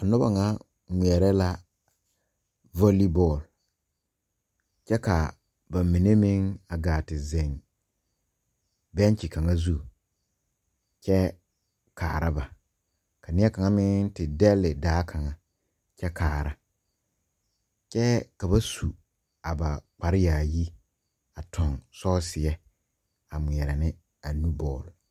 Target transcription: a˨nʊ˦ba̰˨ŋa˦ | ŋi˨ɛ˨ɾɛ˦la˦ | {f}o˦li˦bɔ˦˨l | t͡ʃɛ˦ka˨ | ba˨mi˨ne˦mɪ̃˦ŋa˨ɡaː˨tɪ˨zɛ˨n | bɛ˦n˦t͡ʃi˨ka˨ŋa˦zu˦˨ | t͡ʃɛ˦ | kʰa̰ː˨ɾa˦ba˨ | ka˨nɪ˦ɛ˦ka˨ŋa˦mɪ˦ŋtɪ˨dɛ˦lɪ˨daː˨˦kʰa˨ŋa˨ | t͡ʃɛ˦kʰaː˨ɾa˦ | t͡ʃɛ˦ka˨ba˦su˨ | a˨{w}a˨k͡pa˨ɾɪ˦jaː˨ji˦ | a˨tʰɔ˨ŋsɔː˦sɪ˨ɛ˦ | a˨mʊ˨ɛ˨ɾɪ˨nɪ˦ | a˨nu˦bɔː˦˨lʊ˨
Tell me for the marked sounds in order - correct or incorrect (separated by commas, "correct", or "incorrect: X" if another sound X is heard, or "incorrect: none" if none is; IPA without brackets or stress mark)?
incorrect: v, incorrect: b